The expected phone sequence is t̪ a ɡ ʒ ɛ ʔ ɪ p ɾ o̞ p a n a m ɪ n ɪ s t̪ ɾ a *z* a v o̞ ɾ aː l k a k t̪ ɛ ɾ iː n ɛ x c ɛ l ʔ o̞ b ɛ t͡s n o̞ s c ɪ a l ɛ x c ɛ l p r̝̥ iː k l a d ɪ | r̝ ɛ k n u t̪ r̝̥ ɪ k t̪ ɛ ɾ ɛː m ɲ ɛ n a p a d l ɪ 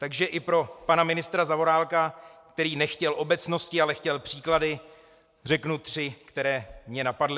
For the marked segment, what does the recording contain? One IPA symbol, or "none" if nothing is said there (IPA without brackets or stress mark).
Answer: z